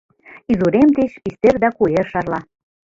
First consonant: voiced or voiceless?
voiced